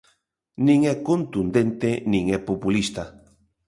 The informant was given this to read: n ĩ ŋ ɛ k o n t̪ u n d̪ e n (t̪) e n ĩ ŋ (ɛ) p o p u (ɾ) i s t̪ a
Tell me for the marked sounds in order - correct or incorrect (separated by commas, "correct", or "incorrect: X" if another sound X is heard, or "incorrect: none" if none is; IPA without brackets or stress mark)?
correct, correct, incorrect: l